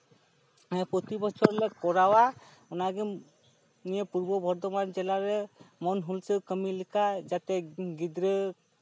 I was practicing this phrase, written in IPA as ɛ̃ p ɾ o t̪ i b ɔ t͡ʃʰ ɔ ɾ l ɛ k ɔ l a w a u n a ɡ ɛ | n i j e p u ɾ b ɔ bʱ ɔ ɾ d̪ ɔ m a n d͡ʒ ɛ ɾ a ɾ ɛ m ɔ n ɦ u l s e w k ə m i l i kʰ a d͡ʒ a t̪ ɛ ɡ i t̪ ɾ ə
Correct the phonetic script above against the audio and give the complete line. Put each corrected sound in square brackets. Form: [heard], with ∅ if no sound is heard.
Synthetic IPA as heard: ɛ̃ p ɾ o t̪ i b ɔ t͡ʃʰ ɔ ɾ l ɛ k ɔ [ɾ] a w a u n a ɡ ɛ | n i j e p u ɾ b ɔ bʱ ɔ ɾ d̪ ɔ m a n d͡ʒ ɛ [l] a ɾ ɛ m ɔ n ɦ u l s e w k ə m i l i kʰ a d͡ʒ a t̪ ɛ ɡ i [d̪] ɾ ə

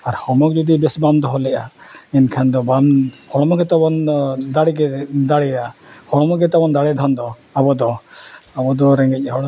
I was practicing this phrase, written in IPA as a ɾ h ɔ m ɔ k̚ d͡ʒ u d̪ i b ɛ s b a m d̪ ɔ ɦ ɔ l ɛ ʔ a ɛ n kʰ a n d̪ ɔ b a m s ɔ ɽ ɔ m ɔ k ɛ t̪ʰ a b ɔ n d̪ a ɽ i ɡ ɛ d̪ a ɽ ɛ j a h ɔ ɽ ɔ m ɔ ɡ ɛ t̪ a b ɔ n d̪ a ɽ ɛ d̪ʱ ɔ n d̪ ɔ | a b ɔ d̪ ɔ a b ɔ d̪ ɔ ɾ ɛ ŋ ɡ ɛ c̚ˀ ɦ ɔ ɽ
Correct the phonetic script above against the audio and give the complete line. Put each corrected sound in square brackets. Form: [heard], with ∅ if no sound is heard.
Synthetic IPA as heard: a ɾ h ɔ m ɔ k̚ d͡ʒ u d̪ i b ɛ s b a m d̪ ɔ ɦ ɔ l ɛ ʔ a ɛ n kʰ a n d̪ ɔ b a m [h] ɔ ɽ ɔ m ɔ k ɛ [t̪] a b ɔ n d̪ a ɽ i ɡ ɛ d̪ a ɽ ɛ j a h ɔ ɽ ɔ m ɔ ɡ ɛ t̪ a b ɔ n d̪ a ɽ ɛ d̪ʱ ɔ n d̪ ɔ | a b ɔ d̪ ɔ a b ɔ d̪ ɔ ɾ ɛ ŋ ɡ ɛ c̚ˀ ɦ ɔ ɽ

